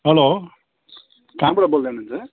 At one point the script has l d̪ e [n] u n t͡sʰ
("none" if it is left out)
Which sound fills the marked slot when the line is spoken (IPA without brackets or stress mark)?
n